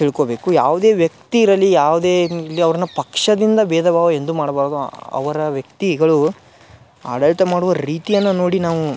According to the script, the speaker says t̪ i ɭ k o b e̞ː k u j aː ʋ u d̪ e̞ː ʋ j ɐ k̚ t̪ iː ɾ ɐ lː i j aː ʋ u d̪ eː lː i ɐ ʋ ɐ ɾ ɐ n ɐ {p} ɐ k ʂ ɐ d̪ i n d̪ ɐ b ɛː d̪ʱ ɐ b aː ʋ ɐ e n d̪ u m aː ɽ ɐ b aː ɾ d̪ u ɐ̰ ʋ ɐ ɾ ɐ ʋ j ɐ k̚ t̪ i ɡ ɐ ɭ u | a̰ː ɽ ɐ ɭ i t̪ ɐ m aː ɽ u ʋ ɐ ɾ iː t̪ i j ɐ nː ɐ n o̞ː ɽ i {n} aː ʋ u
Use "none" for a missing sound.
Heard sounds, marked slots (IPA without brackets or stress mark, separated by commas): p, n